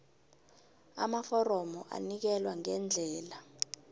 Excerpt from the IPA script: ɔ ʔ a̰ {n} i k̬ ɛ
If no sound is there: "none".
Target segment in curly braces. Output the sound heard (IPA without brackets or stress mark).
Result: n